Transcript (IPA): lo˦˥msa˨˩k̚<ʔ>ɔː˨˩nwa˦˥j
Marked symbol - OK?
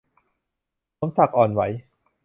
yes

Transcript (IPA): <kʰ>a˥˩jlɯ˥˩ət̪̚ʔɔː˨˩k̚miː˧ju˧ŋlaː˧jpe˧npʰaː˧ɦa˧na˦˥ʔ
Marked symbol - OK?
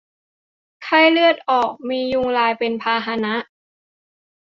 yes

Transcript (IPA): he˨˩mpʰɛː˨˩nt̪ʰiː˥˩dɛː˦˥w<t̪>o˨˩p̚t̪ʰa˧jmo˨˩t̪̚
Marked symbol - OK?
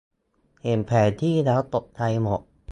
yes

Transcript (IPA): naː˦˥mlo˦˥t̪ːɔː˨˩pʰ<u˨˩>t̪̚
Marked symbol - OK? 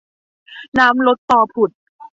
yes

